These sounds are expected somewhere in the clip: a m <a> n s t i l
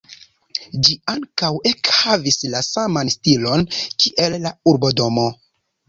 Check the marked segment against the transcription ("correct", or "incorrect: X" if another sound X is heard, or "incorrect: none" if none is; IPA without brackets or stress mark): correct